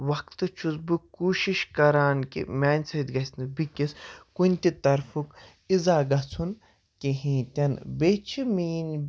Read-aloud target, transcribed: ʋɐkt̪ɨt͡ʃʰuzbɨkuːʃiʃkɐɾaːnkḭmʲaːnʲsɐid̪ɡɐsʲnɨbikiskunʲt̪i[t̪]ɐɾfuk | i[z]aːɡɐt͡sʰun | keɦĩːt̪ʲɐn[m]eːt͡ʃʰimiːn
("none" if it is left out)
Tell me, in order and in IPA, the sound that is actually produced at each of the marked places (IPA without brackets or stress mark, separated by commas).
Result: t̪, z, b